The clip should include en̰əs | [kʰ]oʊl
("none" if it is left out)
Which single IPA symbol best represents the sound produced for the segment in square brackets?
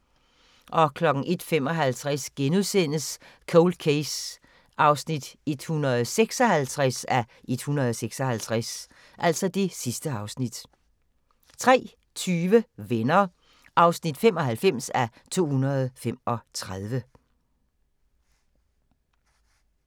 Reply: kʰ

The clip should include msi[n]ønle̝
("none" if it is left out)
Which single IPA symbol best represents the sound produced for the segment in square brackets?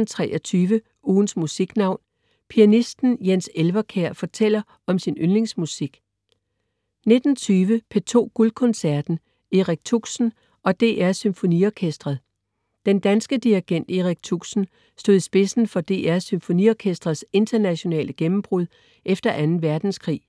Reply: n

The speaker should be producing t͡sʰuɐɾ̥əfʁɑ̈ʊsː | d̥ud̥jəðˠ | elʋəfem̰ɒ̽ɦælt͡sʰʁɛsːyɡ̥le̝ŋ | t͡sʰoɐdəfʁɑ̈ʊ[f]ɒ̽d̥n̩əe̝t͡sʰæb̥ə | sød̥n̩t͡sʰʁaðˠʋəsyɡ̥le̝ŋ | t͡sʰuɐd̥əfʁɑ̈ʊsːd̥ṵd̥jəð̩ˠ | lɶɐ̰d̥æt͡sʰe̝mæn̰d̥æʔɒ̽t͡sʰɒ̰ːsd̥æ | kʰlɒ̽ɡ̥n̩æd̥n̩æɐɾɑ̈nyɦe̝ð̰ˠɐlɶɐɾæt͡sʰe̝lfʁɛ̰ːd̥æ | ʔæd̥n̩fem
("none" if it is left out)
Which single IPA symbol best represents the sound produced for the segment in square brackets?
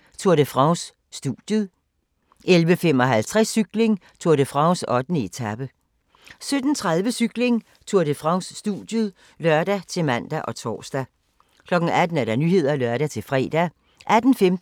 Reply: s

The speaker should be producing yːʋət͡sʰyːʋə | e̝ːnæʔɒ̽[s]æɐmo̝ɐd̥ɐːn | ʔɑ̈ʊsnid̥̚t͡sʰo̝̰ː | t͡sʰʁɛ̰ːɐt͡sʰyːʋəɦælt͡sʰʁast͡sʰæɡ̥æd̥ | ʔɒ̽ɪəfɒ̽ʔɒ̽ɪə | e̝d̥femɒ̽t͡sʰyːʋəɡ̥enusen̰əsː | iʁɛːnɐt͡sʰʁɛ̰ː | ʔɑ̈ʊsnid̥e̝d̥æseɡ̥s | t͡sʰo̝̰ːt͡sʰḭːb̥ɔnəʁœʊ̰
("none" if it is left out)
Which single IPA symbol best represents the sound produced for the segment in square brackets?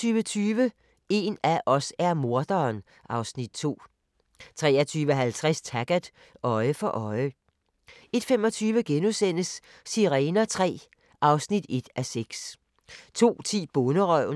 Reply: s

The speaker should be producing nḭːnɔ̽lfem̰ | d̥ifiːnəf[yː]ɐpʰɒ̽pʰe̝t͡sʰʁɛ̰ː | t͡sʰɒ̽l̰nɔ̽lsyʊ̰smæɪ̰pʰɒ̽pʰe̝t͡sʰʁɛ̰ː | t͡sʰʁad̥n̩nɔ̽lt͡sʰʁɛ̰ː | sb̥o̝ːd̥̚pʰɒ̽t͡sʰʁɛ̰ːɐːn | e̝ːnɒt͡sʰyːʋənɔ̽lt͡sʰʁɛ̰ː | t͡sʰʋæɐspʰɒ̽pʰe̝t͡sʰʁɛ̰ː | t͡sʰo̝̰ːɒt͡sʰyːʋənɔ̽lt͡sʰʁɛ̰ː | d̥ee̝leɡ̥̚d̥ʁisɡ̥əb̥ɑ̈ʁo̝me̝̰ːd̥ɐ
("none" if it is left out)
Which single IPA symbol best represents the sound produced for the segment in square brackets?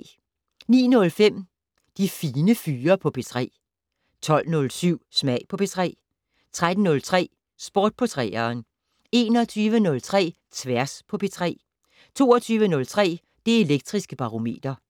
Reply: yː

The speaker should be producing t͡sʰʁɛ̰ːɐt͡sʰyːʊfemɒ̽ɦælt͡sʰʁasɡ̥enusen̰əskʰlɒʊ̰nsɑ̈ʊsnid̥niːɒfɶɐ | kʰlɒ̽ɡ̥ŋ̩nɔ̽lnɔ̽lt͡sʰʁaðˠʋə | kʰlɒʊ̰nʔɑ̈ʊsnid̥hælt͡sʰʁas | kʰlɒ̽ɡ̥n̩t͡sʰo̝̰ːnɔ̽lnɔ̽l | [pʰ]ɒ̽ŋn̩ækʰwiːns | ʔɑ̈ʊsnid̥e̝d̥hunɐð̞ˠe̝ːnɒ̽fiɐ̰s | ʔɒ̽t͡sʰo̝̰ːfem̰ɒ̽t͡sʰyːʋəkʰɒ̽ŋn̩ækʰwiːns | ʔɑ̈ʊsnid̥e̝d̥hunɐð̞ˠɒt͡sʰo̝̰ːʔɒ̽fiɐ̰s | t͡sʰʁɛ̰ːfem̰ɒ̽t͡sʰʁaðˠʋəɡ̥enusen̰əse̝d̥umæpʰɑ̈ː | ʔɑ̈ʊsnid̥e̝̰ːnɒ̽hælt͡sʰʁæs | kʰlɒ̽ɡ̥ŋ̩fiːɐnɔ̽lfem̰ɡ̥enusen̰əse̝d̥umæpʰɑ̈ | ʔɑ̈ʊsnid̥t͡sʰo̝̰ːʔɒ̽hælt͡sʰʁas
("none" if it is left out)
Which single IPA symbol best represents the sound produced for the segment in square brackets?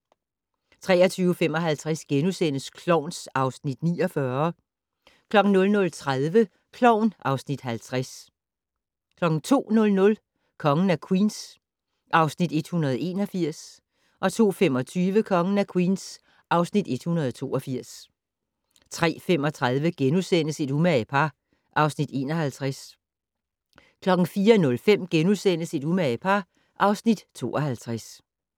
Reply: kʰ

